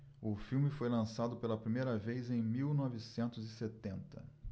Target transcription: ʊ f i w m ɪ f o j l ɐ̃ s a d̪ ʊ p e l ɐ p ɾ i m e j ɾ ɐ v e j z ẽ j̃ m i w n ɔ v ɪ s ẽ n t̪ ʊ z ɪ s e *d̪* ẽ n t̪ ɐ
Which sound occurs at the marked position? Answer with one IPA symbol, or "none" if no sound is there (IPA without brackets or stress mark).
t̪